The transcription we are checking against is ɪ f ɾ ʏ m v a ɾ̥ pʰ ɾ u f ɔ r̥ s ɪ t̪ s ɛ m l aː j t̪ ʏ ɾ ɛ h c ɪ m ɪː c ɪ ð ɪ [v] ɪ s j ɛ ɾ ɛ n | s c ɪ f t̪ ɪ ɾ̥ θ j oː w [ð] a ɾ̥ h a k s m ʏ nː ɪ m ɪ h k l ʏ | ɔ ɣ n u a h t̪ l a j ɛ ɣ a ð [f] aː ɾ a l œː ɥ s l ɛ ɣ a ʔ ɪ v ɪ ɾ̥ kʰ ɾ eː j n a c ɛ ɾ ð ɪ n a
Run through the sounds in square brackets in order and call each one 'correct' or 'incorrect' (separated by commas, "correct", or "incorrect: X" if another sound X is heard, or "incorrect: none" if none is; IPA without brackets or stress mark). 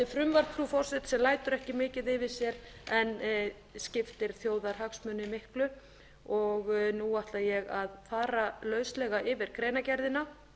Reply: correct, correct, correct